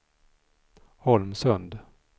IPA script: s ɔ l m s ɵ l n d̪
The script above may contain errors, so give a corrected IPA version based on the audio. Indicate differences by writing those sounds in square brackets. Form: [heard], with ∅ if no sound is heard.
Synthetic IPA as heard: [h] ɔ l m s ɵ [∅] n d̪